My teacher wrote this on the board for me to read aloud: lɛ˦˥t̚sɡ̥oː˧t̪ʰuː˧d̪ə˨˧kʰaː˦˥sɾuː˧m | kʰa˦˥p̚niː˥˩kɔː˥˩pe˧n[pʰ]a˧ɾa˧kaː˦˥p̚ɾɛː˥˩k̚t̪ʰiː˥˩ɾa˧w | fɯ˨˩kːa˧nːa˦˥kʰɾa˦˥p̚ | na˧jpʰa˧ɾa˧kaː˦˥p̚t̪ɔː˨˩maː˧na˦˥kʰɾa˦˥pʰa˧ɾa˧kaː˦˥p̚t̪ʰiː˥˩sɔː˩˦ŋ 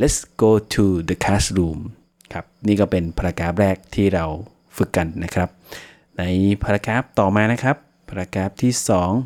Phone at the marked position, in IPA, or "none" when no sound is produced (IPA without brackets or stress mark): pʰ